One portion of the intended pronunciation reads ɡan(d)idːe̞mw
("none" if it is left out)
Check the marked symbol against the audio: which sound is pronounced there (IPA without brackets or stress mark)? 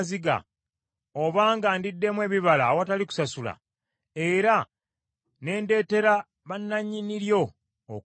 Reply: d